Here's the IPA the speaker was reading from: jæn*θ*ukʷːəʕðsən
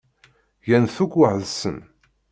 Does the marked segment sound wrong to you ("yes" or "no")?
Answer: no